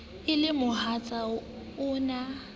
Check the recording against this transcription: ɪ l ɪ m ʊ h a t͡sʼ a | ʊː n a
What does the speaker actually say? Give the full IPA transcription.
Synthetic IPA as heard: ɪ l ɪ m ʊ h a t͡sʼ a | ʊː n a

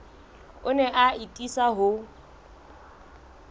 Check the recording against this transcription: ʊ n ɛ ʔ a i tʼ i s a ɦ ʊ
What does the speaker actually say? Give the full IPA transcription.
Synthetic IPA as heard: ʊ n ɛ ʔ a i tʼ i s a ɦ ʊ

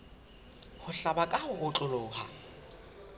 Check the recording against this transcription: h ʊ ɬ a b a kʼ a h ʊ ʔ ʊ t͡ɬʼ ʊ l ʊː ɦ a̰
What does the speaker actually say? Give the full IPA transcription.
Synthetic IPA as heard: h ʊ ɬ a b a kʼ a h ʊ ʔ ʊ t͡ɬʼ ʊ l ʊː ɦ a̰

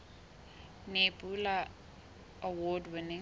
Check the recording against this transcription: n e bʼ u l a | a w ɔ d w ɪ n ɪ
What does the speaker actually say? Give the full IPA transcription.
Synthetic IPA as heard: n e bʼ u l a | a w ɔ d w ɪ n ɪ

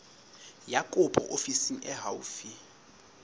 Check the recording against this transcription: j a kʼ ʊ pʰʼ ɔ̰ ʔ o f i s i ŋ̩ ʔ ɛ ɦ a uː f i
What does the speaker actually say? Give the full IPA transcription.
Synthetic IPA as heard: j a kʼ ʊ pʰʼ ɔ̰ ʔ o f i s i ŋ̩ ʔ ɛ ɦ a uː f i

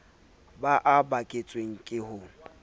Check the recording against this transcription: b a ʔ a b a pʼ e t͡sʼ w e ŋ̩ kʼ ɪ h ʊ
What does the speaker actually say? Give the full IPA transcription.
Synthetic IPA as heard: b a ʔ a b a kʼ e t͡sʼ w e ŋ̩ kʼ ɪ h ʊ

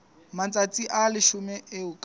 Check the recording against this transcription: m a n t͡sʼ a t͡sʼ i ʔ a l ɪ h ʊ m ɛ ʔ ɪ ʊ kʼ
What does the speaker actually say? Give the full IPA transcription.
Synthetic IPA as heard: m a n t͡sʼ a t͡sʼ i ʔ a l ɪ ʃ ʊ m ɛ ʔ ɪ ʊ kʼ

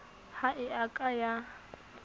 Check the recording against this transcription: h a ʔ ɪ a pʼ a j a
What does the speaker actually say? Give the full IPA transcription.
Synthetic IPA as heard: h a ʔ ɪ a kʼ a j a

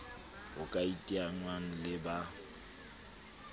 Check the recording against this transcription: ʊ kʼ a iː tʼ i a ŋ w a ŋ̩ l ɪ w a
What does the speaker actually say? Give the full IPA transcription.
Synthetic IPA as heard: ʊ kʼ a i tʼ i a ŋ w a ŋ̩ l ɪ b a

